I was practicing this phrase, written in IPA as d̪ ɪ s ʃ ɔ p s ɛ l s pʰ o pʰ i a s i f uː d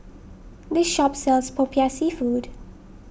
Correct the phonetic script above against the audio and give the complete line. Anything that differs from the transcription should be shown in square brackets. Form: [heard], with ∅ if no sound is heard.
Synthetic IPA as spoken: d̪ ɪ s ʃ ɔ p s ɛ l s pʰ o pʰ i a s i f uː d

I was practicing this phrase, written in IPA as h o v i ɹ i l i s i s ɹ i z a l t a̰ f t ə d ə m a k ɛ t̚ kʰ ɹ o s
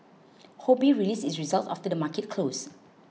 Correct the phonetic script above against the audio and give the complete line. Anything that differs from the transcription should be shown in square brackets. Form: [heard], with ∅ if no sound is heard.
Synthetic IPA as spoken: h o [b] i ɹ i l i s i s ɹ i z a l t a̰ f t ə d ə m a k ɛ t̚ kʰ [l] o s

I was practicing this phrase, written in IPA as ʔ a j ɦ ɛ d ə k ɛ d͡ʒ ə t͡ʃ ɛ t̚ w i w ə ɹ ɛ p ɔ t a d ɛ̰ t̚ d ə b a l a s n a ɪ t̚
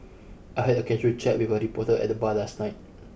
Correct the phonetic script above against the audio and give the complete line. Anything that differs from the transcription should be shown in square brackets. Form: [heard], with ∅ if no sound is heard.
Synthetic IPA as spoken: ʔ a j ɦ ɛ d ə k ɛ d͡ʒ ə t͡ʃ ɛ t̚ w i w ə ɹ [i] p ɔ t [ə] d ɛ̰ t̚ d ə b a l a s n a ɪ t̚

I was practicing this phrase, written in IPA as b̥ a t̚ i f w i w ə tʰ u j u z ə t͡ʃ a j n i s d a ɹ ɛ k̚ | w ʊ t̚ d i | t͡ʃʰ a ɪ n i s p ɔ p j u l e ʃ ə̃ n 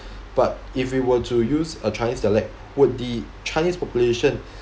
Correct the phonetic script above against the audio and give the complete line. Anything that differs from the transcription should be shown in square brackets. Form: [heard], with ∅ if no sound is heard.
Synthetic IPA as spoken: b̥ a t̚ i f w i w ə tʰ u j u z ə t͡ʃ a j n i s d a [l] ɛ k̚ | w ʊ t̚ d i | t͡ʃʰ a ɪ n i s p ɔ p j u l e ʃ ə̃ n

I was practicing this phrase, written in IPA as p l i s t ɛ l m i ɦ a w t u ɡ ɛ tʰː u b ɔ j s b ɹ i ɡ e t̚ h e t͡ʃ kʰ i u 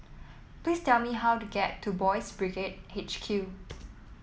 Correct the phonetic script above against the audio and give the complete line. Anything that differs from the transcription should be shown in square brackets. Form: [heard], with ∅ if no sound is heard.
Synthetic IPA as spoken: p l i s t ɛ l m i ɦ a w t u ɡ ɛ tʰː u b ɔ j s b ɹ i ɡ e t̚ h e t͡ʃ kʰ [j] u

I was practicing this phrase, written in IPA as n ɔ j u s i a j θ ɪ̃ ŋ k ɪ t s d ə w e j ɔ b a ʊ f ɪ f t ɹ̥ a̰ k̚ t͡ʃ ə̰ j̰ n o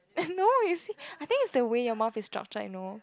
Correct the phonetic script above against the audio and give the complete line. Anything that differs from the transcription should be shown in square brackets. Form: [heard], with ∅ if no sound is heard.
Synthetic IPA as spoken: n [o] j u s i a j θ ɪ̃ ŋ k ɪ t s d ə w e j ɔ [m] a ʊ f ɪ [s] t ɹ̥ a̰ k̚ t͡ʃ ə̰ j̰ n o

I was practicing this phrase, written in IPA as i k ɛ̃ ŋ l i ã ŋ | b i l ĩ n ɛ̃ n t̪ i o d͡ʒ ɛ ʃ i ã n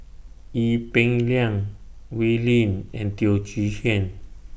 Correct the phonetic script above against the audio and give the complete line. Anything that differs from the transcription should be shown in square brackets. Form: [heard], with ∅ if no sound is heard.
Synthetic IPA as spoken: i [p] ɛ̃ ŋ l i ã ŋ | [w] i l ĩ n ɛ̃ n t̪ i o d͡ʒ [i] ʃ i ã n

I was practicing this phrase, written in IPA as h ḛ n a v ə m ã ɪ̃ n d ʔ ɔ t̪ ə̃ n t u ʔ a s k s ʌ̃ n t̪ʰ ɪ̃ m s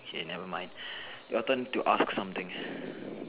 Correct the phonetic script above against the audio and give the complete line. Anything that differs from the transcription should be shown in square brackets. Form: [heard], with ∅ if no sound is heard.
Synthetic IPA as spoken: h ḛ n [ɛ] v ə m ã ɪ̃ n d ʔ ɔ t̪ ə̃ n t u ʔ a s k s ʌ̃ [m] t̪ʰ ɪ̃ [ŋ] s

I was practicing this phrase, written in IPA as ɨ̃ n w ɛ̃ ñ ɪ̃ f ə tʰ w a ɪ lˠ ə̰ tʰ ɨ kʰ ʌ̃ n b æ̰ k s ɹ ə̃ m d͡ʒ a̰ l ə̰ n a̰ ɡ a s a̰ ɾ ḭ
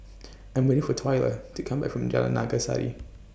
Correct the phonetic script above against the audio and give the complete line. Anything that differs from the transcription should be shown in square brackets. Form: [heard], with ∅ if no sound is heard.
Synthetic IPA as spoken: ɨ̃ n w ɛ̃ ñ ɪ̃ f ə tʰ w a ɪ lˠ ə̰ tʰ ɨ kʰ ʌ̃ [m] b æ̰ k [f] ɹ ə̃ m d͡ʒ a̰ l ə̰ n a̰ ɡ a s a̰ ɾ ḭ

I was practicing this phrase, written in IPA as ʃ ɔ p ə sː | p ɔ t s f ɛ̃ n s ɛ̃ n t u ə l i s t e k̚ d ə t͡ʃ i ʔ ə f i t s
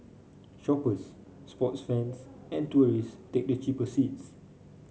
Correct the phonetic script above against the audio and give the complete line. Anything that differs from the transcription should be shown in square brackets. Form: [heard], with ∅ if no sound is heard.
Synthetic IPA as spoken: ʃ ɔ p ə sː | p ɔ t s f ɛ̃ n s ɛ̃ n t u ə [ɹ] i s t e k̚ d ə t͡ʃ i [p] ə [s] i t s

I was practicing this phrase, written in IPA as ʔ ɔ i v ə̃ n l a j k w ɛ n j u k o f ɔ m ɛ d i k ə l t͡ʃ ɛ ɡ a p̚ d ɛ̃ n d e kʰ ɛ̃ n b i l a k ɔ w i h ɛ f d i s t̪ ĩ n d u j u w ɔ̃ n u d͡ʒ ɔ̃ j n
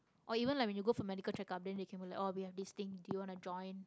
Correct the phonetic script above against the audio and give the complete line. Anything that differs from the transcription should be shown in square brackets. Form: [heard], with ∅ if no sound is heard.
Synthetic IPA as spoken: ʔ ɔ i v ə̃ n l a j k w ɛ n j u [ɡ] o f ɔ m ɛ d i k ə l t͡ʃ ɛ [k] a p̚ d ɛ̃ n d e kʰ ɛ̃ n b i l a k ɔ w i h ɛ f d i s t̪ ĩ [ŋ] d u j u w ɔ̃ n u d͡ʒ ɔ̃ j n

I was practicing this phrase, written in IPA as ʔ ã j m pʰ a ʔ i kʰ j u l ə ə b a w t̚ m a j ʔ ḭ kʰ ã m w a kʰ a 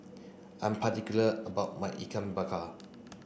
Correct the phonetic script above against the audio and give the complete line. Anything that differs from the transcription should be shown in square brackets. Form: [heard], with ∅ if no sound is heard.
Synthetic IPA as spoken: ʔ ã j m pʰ a [t] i [k] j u l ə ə b a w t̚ m a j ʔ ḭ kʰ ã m [b] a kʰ a

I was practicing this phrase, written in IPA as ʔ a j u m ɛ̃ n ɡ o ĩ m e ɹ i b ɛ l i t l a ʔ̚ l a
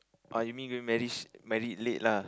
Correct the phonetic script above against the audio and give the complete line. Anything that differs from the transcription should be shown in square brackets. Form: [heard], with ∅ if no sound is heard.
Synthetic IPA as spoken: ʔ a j u m [ĩ] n ɡ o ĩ m [ɛ] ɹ i [m] ɛ [ɹ] i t l [e] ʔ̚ l a

